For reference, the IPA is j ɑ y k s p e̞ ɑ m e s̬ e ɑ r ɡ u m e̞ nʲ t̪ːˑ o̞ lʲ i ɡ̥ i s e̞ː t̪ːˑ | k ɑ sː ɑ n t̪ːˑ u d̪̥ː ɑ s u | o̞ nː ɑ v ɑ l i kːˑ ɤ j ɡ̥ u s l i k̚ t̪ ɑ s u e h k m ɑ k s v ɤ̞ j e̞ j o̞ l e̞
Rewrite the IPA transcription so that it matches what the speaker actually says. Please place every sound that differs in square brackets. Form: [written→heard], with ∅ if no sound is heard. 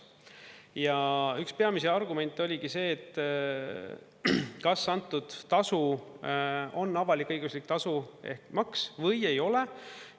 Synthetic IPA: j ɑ y k s p e̞ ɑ m [e→i] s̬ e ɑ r ɡ u m e̞ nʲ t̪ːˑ o̞ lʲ i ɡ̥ i s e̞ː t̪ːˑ | k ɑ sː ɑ n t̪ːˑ u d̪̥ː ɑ s u | o̞ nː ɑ v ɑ l i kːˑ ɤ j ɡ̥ u s l i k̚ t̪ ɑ s u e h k m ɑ k s v ɤ̞ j e̞ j o̞ l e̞